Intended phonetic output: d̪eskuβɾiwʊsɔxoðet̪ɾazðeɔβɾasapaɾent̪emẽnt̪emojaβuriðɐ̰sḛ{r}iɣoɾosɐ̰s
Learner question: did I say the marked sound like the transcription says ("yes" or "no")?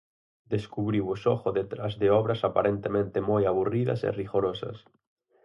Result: yes